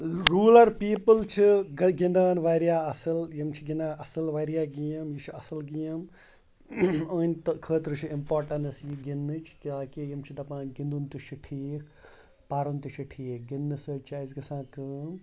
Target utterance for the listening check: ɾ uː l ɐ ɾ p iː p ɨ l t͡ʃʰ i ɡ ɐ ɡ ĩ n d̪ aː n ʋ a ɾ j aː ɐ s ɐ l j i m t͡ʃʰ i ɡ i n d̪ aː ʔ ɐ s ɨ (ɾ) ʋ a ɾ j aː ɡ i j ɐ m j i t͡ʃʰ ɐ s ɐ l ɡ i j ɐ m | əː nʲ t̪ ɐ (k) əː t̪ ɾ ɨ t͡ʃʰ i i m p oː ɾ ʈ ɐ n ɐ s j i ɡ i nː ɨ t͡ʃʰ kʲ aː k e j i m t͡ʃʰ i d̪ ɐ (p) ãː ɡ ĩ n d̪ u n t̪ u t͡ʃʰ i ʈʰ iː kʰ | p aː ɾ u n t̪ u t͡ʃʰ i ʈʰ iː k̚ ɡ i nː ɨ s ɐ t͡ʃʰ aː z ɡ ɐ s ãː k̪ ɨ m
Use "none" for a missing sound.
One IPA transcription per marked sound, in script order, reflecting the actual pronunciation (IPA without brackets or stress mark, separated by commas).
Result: l, kʰ, p